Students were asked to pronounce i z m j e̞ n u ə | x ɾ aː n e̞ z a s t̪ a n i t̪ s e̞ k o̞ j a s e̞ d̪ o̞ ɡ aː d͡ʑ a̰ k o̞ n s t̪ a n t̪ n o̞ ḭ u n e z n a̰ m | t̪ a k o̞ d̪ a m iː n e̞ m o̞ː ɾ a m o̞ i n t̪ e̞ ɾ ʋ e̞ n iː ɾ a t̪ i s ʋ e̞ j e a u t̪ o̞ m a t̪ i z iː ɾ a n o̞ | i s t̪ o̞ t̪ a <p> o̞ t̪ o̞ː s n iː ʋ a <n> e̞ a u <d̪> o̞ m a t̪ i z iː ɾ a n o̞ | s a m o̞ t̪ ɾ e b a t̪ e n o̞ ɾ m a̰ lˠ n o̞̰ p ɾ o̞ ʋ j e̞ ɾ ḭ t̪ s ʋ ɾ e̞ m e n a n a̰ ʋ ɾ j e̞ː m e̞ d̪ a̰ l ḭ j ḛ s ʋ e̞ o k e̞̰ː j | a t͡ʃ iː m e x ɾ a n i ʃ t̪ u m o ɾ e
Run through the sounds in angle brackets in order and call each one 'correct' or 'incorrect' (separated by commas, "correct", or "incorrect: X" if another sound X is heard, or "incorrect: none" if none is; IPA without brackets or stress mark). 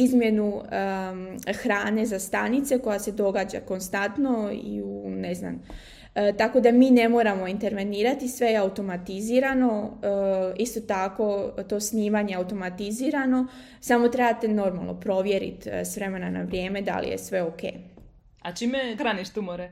incorrect: k, incorrect: ɲ, incorrect: t̪